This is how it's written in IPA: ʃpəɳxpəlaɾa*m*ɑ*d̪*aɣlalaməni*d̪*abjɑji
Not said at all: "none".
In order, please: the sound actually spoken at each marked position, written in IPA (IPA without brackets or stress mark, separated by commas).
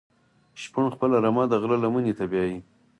m, d̪, t̪